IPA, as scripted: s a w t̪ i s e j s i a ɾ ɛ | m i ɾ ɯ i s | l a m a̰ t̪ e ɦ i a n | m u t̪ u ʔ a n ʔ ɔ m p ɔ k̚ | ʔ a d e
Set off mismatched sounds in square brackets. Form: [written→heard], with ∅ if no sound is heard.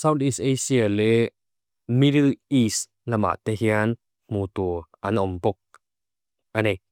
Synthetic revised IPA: s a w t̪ i s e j s i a [ɾ→l] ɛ | m i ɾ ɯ i s | l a m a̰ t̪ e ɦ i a n | m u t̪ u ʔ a n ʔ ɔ m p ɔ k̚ | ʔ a [d→n] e